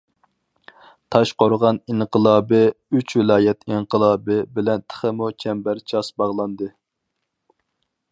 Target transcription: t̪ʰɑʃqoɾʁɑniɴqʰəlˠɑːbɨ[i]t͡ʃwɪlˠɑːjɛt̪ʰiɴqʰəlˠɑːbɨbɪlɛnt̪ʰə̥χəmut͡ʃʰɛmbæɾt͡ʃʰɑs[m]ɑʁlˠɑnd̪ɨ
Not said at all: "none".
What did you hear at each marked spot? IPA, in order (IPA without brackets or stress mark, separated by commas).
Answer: y, b